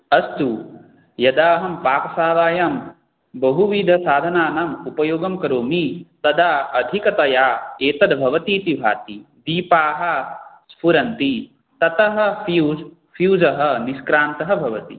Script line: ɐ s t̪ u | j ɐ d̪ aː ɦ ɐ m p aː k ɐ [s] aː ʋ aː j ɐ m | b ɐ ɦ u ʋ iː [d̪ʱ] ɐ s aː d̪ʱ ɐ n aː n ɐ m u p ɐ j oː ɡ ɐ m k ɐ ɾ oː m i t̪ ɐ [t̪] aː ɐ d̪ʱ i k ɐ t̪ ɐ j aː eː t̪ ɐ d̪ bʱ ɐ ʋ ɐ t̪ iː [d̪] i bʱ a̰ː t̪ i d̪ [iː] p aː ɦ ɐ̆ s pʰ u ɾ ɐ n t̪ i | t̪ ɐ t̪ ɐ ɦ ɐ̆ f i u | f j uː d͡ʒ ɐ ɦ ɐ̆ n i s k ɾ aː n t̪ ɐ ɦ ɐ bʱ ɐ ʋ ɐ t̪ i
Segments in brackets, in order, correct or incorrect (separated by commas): correct, correct, incorrect, incorrect, correct